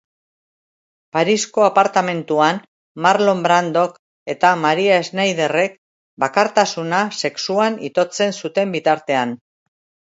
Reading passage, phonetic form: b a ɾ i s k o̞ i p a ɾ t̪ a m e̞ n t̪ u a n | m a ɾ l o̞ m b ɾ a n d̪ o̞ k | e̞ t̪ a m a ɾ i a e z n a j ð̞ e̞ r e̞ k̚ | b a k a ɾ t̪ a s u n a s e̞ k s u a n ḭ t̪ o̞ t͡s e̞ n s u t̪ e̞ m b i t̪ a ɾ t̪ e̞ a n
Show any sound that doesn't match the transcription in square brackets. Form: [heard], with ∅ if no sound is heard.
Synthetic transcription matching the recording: [p] a ɾ i s k o̞ [a] p a ɾ t̪ a m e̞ n t̪ u a n | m a ɾ l o̞ m b ɾ a n d̪ o̞ k | e̞ t̪ a m a ɾ i a e z n a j ð̞ e̞ r e̞ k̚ | b a k a ɾ t̪ a s u n a s e̞ k s u a n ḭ t̪ o̞ t͡s e̞ n s u t̪ e̞ m b i t̪ a ɾ t̪ e̞ a n